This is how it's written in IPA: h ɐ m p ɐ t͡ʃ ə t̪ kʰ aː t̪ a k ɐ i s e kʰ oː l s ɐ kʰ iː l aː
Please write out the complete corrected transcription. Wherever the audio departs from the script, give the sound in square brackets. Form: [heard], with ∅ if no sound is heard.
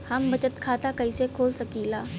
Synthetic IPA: h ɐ m [b] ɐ t͡ʃ ə t̪ kʰ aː t̪ a k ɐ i s e kʰ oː l s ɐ [k] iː l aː